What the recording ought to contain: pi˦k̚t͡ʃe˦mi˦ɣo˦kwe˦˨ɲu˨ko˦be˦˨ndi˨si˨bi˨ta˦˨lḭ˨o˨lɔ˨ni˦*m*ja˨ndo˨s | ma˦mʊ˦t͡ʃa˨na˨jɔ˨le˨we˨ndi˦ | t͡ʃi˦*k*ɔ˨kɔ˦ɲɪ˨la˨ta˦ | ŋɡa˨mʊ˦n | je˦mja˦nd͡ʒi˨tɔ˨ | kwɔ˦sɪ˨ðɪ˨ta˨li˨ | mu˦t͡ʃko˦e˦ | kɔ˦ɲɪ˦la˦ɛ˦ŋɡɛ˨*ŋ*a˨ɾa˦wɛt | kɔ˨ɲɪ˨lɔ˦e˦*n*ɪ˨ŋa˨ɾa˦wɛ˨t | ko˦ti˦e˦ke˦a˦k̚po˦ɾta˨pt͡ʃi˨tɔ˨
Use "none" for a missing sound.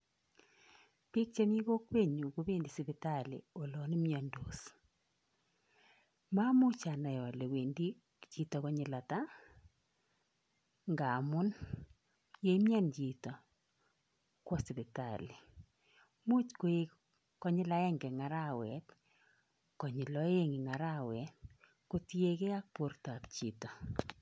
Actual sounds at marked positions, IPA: m, t, ŋ, ŋ

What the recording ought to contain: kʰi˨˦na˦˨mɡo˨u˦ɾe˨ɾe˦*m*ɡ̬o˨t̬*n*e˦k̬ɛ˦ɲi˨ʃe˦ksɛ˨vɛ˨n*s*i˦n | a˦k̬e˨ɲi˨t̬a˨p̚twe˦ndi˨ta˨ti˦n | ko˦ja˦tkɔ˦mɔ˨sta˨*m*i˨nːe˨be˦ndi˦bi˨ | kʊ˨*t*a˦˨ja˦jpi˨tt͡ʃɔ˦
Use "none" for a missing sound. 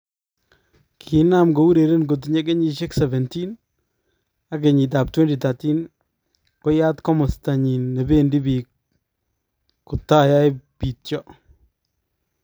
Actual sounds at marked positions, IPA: n, ɲ, t, ɲ, t

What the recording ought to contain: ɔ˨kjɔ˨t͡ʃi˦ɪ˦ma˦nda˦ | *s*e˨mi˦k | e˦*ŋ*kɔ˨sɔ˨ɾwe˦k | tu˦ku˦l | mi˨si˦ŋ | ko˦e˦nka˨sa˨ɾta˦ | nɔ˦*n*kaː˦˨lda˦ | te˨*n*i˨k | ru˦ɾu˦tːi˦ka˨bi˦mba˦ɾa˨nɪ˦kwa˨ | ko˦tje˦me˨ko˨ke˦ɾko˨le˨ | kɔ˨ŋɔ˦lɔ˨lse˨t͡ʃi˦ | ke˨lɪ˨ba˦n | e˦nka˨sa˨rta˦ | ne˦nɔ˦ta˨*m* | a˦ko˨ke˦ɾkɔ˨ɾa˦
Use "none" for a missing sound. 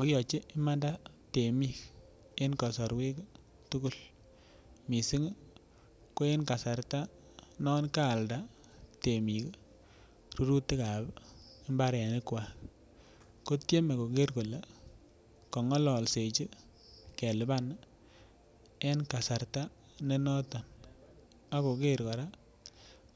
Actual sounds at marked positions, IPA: t, n, n, m, n

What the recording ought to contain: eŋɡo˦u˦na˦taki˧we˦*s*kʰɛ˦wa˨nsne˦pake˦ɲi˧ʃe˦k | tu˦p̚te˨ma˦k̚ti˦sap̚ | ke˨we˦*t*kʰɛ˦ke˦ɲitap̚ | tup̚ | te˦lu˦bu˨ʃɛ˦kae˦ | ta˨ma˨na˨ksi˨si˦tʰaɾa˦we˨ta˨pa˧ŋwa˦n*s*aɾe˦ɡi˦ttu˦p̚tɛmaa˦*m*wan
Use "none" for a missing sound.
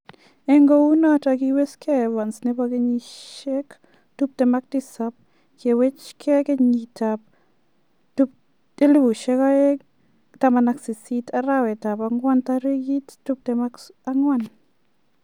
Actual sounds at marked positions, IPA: s, t͡ʃ, t, ŋ

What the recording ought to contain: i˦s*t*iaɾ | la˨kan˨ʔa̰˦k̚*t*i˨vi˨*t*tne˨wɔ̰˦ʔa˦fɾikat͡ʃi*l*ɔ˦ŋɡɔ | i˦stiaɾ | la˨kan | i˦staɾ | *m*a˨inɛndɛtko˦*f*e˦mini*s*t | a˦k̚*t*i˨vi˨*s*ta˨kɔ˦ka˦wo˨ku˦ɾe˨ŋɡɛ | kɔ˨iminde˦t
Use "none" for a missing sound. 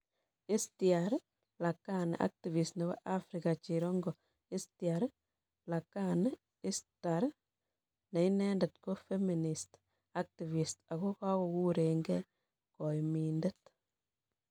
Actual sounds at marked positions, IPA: t, t, s, ɾ, n, f, s, t, s

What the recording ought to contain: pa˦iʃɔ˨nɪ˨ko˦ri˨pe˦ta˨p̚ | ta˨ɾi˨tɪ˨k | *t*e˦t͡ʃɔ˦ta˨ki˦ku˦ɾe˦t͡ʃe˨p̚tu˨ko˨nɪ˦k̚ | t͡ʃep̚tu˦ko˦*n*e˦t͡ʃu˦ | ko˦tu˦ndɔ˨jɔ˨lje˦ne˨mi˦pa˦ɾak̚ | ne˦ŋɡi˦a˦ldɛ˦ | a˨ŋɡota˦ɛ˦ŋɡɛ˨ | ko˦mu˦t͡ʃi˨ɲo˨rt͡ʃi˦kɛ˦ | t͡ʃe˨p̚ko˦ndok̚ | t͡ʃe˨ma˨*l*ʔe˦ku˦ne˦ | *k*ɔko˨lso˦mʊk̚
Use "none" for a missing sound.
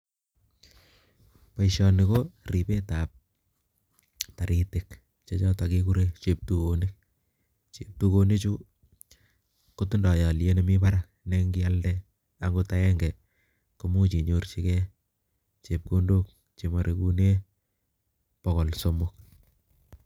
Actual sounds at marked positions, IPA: t͡ʃ, n, ɾ, p

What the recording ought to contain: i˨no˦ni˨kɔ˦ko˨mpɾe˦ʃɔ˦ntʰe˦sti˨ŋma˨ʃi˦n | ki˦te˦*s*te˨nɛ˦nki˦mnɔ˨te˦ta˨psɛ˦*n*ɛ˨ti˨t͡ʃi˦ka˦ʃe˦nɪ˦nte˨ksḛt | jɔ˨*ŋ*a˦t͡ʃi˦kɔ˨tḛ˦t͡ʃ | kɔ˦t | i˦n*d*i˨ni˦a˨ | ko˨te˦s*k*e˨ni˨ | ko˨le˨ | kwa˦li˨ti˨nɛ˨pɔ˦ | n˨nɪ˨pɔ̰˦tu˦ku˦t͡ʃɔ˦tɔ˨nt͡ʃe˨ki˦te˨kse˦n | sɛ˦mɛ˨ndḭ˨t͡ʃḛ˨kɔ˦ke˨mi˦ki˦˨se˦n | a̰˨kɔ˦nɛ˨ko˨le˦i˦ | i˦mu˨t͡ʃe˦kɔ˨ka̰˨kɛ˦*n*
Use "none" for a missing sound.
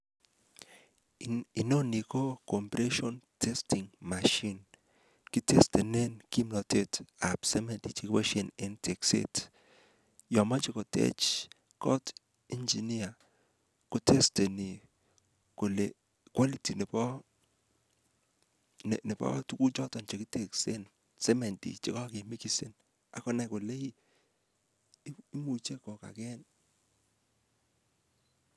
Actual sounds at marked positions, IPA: s, m, m, d͡ʒ, t, n

